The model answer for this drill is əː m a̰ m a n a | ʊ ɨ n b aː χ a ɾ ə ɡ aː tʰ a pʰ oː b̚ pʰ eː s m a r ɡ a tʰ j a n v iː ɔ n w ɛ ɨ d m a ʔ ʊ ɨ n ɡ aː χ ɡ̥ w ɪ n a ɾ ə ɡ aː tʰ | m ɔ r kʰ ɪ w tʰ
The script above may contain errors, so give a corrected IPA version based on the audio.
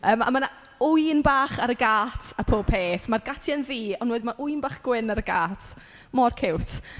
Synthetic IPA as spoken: əː m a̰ m a n a | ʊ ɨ n b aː χ a ɾ ə ɡ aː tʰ a pʰ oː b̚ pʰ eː θ m a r ɡ a tʰ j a n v iː ɔ n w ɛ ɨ d m a ʔ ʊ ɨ n b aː χ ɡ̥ w ɪ n a ɾ ə ɡ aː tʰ | m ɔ r kʰ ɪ w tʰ